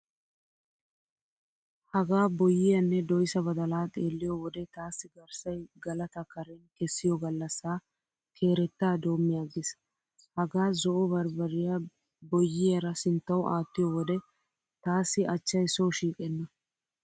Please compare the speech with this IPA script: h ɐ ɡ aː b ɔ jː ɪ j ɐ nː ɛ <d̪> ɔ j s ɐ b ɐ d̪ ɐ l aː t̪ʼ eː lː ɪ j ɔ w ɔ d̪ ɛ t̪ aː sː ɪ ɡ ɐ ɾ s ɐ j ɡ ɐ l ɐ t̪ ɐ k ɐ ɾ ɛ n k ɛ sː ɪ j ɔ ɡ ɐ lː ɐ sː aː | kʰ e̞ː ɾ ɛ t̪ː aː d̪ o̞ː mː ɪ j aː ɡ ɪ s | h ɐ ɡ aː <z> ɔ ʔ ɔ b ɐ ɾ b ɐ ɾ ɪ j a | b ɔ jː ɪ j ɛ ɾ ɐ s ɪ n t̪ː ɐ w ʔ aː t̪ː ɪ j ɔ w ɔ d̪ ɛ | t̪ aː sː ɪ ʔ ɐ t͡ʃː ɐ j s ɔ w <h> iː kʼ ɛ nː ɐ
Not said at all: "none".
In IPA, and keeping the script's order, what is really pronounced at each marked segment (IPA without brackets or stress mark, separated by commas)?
d̪, z, ʃ